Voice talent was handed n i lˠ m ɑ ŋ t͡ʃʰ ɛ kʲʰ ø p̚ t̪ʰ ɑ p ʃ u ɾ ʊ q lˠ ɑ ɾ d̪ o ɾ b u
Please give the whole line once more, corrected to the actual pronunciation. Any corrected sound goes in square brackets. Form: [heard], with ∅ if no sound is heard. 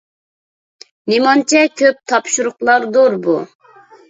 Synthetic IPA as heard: n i [∅] m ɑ [n] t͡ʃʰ ɛ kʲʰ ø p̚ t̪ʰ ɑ p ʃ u ɾ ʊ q lˠ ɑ ɾ d̪ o ɾ b u